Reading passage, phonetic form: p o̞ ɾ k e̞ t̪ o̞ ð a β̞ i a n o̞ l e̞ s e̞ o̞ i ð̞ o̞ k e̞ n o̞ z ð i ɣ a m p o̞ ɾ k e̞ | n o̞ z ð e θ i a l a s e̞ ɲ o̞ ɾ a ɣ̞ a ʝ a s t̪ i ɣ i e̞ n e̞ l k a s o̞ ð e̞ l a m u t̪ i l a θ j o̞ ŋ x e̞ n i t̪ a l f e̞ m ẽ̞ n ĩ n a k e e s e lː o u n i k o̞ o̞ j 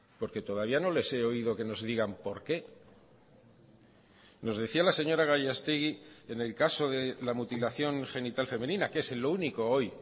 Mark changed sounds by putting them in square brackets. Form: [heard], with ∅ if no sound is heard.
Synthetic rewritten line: p o̞ ɾ k e̞ t̪ o̞ ð a β̞ i a n o̞ l e̞ s e̞ o̞ i ð̞ o̞ k e̞ n o̞ z ð i ɣ a m p o̞ ɾ k e̞ | n o̞ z ð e θ i a l a s e̞ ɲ o̞ ɾ a ɣ̞ a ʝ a s t̪ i ɣ i e̞ n e̞ l k a s o̞ ð e̞ l a m u t̪ i l a θ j o̞ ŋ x e̞ n i t̪ a l f e̞ m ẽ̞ n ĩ n a k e e s e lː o u n i k o̞ o̞ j